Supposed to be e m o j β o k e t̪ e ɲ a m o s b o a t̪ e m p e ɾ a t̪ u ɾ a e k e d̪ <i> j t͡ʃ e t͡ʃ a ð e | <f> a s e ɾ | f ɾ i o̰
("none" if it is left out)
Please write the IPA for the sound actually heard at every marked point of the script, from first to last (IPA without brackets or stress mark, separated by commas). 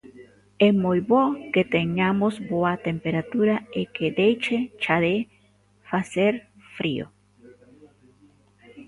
e, f